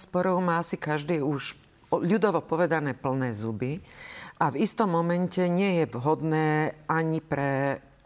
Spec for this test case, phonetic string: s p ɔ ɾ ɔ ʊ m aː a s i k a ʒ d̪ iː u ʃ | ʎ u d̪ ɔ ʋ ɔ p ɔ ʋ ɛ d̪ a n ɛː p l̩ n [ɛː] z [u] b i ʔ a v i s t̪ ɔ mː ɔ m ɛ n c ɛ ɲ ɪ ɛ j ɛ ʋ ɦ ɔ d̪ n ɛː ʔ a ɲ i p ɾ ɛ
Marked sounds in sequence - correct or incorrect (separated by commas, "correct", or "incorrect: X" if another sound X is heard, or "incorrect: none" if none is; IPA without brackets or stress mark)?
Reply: correct, correct